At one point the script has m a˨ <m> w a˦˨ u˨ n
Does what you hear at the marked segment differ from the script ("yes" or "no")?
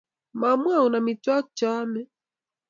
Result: no